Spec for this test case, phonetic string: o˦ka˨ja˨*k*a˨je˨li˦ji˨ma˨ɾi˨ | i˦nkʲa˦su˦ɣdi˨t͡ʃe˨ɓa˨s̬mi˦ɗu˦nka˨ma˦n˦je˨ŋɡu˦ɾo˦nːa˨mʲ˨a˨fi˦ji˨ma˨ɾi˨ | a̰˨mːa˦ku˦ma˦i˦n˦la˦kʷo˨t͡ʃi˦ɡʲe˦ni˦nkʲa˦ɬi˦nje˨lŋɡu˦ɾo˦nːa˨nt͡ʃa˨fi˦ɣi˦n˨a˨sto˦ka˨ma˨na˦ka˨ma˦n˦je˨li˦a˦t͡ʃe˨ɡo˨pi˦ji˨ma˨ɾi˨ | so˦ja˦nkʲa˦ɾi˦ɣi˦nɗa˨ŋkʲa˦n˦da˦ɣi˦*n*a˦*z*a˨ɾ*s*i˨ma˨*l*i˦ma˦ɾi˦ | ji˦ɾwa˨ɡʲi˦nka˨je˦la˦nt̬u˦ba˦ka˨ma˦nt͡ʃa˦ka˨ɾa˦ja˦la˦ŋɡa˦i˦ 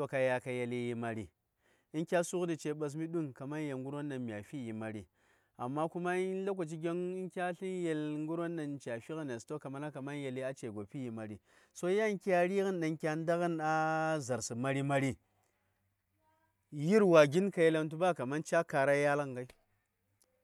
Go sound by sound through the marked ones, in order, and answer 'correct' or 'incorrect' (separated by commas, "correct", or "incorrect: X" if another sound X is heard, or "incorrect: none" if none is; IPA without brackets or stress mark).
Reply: correct, correct, correct, correct, incorrect: ɾ